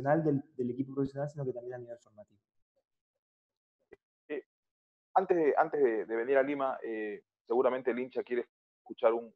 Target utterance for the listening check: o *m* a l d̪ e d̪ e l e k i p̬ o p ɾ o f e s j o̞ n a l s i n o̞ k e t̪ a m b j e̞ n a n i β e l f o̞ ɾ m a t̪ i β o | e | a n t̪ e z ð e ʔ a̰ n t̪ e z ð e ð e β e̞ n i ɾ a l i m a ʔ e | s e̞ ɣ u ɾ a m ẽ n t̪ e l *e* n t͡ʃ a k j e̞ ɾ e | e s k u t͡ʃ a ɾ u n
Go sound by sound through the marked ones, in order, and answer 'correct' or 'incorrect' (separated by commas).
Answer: incorrect, incorrect